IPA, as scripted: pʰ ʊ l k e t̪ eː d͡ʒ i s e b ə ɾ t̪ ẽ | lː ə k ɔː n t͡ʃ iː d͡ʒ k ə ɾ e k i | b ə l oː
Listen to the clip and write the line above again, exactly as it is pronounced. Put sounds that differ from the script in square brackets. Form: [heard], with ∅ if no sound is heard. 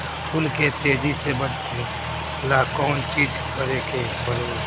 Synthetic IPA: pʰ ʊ l k e t̪ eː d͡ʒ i s e b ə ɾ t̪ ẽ | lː [a] k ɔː n t͡ʃ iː d͡ʒ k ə ɾ e k [e] | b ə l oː